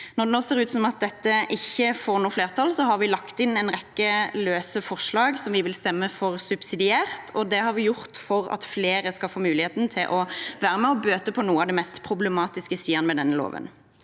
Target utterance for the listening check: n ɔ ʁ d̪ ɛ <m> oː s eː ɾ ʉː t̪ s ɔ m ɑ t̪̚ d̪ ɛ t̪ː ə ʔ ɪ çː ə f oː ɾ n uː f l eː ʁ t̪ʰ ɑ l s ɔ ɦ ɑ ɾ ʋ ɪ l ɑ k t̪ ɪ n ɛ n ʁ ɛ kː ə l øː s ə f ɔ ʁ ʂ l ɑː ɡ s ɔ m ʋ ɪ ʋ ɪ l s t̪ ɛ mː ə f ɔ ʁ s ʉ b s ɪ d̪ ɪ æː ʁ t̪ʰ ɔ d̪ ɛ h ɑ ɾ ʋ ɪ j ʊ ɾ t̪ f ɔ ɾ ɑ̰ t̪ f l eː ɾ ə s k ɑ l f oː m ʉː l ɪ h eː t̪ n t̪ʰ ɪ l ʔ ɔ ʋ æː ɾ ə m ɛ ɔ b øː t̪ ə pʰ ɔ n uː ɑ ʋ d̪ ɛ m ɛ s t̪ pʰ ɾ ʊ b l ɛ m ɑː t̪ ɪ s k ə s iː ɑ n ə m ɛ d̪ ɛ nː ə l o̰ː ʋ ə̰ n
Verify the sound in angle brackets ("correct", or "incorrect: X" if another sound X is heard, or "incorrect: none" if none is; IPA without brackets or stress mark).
incorrect: n